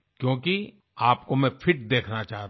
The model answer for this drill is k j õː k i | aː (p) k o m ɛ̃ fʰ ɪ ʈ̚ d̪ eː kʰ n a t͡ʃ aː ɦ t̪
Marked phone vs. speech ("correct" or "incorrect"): correct